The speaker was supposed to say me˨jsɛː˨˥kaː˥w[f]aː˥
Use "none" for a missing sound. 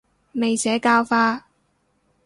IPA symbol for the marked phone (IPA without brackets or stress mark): f